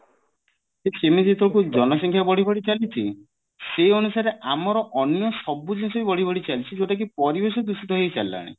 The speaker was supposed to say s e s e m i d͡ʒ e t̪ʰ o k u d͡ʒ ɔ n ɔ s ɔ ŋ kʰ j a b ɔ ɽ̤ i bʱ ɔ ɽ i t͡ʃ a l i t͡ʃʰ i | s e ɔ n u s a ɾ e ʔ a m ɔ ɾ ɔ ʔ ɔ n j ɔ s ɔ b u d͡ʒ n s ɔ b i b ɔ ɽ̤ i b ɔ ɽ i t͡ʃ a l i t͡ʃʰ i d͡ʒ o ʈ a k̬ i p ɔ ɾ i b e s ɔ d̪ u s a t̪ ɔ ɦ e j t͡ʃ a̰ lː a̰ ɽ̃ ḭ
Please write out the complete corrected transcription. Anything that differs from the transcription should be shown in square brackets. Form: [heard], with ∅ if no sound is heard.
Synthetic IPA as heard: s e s e m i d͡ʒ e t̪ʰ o k u d͡ʒ ɔ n ɔ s ɔ ŋ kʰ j a b ɔ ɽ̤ i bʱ ɔ ɽ i t͡ʃ a l i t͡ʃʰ i | s e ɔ n u s a ɾ e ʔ a m ɔ ɾ ɔ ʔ ɔ n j ɔ s ɔ b u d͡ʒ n s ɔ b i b ɔ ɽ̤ i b ɔ ɽ i t͡ʃ a l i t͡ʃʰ i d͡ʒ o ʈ a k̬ i p ɔ ɾ i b e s ɔ d̪ u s [i] t̪ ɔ ɦ e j t͡ʃ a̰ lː a̰ ɽ̃ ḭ

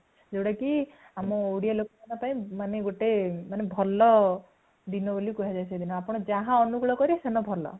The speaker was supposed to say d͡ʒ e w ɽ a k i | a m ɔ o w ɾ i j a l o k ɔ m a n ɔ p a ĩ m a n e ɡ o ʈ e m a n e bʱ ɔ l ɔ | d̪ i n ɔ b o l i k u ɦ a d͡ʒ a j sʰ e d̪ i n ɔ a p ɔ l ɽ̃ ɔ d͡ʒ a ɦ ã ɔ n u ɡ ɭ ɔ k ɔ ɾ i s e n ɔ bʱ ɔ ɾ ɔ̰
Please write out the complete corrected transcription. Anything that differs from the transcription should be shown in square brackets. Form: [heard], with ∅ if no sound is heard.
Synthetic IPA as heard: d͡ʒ e w ɽ a k i | a m ɔ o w [ɽ] i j a l o k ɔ m a n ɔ p a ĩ m a n e ɡ o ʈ e m a n e bʱ ɔ l ɔ | d̪ i n ɔ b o l i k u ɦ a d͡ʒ a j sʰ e d̪ i n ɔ a p ɔ [∅] ɽ̃ ɔ d͡ʒ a ɦ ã ɔ n u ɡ ɭ ɔ k ɔ ɾ i s e n ɔ bʱ ɔ [l] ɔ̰

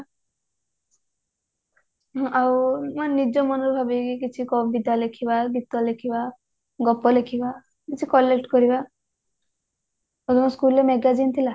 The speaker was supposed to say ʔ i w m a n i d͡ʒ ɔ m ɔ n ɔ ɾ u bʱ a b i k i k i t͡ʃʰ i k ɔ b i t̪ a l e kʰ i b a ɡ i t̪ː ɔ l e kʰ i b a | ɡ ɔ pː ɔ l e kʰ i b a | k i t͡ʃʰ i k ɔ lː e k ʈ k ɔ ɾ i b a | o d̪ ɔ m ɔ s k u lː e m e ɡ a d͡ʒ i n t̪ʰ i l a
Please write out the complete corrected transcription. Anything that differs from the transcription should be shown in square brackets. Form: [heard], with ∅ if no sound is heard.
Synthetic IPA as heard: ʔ [a] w m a n i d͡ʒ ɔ m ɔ n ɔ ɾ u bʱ a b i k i k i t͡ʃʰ i k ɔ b i [d̪] a l e kʰ i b a ɡ i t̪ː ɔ l e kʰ i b a | ɡ ɔ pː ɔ l e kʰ i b a | k i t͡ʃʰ i k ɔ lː e k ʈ k ɔ ɾ i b a | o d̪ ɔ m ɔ s k u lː e m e ɡ a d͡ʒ i n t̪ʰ i l a

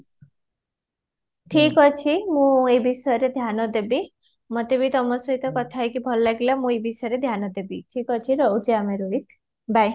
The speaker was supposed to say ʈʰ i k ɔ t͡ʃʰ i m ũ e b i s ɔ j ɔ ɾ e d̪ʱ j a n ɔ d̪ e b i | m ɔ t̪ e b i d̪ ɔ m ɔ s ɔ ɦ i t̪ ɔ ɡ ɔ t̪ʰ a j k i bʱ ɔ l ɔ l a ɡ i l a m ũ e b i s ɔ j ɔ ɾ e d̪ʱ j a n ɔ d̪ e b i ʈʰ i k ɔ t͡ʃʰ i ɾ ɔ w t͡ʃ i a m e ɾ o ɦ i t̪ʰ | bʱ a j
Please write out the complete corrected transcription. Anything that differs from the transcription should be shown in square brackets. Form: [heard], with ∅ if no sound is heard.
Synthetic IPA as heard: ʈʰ i k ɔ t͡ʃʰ i m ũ e b i s ɔ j ɔ ɾ e d̪ʱ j a n ɔ d̪ e b i | m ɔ t̪ e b i [t̪] ɔ m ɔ s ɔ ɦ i t̪ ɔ [k] ɔ t̪ʰ a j k i bʱ ɔ l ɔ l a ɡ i l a m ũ e b i s ɔ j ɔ ɾ e d̪ʱ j a n ɔ d̪ e b i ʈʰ i k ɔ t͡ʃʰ i ɾ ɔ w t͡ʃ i a m e ɾ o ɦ i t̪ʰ | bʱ a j

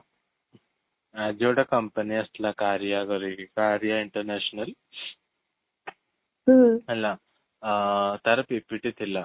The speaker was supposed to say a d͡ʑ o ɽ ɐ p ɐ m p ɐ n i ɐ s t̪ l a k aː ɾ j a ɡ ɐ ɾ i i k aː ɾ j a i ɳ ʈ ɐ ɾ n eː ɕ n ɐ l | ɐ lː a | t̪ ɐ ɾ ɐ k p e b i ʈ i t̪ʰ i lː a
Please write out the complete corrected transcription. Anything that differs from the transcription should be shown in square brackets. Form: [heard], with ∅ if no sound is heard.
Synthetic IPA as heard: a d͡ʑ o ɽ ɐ [k] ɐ m p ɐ n i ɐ s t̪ l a k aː ɾ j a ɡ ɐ ɾ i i k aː ɾ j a i ɳ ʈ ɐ ɾ n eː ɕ n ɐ l | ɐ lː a | t̪ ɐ ɾ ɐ [∅] p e [p] i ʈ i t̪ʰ i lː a

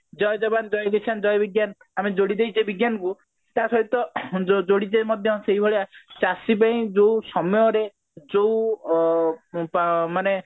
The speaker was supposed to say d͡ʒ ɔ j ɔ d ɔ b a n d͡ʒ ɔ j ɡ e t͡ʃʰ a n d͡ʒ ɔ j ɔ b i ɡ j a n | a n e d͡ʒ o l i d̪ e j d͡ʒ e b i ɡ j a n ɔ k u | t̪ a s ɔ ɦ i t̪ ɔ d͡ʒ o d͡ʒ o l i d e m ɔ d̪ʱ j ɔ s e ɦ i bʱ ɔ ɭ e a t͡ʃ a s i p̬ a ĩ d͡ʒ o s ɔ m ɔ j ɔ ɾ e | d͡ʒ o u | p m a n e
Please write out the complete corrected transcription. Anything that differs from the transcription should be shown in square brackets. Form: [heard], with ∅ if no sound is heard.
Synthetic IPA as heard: d͡ʒ ɔ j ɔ [d͡ʒ] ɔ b a n d͡ʒ ɔ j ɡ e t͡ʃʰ a n d͡ʒ ɔ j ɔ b i ɡ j a n | a [m] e d͡ʒ o [ɽ] i d̪ e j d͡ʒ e b i ɡ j a n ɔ k u | t̪ a s ɔ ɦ i t̪ ɔ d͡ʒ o d͡ʒ o [ɽ] i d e m ɔ d̪ʱ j ɔ s e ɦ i bʱ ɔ ɭ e a t͡ʃ a s i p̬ a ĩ d͡ʒ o s ɔ m ɔ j ɔ ɾ e | d͡ʒ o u | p m a n e

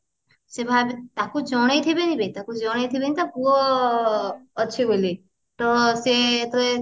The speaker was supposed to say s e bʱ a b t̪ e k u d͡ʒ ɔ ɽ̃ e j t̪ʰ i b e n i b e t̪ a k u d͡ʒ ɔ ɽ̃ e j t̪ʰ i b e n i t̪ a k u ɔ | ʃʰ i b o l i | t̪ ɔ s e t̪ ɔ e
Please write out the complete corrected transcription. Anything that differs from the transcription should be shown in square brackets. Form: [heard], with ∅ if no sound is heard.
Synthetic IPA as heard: s e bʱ a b t̪ [a] k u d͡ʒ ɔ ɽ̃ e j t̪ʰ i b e n i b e t̪ a k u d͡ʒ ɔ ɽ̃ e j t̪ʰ i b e n i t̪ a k u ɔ | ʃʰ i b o l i | t̪ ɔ s e t̪ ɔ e

